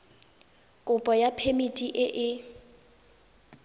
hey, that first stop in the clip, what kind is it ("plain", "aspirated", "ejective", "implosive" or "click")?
ejective